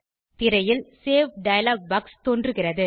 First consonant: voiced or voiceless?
voiceless